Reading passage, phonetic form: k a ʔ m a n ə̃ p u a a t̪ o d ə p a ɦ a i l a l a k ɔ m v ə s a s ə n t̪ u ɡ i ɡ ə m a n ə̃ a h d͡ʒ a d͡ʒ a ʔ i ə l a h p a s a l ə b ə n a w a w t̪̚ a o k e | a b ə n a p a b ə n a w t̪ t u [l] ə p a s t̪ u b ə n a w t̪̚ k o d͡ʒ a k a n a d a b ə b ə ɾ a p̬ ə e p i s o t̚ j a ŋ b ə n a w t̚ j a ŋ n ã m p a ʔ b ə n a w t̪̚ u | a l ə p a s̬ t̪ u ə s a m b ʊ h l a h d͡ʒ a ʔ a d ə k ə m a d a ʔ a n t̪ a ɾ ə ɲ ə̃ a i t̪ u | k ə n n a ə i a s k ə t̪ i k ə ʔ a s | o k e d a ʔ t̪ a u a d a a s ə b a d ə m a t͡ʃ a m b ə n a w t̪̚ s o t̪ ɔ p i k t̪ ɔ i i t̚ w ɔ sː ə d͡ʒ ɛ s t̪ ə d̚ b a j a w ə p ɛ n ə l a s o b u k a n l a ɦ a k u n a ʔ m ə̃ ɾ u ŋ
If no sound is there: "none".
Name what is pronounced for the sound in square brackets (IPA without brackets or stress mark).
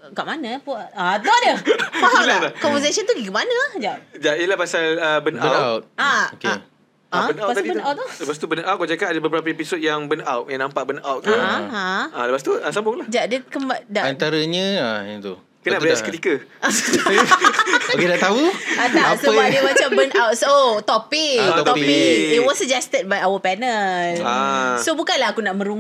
l